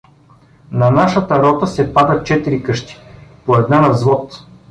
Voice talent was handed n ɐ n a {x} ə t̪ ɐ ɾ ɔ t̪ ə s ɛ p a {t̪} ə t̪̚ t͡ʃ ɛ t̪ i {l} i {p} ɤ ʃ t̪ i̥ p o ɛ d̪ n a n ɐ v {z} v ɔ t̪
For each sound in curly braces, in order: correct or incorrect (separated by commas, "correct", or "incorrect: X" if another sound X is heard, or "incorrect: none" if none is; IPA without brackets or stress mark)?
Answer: incorrect: ʃ, incorrect: d̪, incorrect: ɾ, incorrect: k, correct